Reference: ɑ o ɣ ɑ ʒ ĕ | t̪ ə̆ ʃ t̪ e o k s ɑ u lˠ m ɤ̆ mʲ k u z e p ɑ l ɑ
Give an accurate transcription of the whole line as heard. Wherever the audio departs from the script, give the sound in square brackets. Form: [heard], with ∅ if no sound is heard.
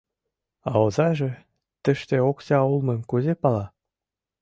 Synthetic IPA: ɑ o [z] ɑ ʒ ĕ | t̪ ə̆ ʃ t̪ e o k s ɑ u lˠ m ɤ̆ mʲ k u z e p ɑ l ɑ